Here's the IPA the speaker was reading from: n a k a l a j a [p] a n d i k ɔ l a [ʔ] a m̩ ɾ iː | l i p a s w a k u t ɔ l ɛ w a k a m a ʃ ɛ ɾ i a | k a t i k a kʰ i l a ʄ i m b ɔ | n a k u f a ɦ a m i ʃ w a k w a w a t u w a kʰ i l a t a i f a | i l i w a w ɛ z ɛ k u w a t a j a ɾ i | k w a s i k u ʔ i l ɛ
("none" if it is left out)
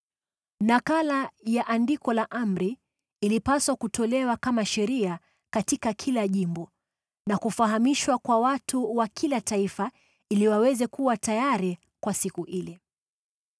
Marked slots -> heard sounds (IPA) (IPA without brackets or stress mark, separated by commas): ʔ, ʔ